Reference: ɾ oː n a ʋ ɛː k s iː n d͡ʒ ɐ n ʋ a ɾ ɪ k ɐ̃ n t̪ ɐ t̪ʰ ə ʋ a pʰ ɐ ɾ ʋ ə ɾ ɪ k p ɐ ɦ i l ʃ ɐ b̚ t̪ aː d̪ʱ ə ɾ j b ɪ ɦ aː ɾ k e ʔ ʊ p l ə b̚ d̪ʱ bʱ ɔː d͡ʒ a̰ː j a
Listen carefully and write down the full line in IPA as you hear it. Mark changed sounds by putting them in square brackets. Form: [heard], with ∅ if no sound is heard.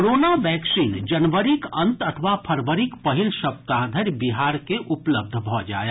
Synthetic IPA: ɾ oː n a ʋ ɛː k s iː n d͡ʒ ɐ n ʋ [ə] ɾ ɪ k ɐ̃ n t̪ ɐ t̪ʰ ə ʋ a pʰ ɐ ɾ ʋ ə ɾ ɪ k p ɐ ɦ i l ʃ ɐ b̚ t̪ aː d̪ʱ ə ɾ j b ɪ ɦ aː ɾ k e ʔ ʊ p l ə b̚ d̪ʱ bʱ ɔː d͡ʒ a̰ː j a